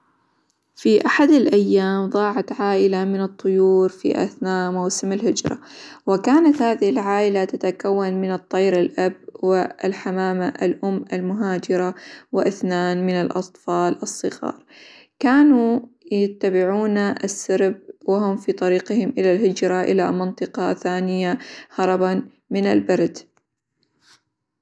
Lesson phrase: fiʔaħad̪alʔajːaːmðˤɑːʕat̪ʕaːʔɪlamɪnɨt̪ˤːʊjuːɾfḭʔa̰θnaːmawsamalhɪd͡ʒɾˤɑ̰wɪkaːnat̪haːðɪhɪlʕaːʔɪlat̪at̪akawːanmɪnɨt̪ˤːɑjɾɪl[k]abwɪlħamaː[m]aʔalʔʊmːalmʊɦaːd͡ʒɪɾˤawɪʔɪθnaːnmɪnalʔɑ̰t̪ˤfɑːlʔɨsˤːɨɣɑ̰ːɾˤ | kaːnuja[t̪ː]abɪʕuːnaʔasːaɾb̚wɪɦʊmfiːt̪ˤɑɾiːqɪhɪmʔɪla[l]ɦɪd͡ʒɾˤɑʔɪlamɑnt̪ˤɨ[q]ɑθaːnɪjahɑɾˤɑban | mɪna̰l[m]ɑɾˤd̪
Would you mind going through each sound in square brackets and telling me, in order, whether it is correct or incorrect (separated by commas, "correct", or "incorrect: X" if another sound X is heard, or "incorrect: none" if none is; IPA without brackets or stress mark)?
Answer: incorrect: ʔ, correct, correct, correct, correct, incorrect: b